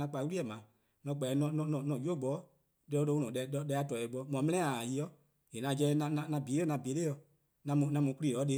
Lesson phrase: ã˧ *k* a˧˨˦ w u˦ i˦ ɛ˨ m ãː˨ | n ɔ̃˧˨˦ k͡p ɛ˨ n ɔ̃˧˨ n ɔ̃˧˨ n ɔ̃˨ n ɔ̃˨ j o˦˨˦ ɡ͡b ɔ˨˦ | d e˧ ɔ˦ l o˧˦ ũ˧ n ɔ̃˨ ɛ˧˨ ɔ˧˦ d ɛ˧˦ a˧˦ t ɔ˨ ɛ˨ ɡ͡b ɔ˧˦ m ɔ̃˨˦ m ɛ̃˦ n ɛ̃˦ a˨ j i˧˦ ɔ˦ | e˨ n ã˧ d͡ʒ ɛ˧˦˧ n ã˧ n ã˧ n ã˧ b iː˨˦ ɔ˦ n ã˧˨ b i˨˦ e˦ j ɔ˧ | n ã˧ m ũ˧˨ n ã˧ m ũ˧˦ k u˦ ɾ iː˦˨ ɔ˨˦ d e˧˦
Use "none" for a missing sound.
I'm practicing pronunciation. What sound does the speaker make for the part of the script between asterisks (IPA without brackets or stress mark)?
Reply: k͡p